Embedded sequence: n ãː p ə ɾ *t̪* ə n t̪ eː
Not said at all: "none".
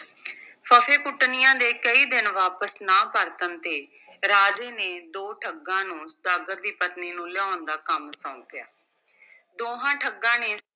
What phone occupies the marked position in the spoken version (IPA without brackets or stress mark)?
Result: t̪